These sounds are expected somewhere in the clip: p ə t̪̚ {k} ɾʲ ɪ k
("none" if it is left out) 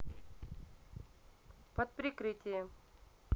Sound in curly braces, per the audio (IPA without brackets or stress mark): p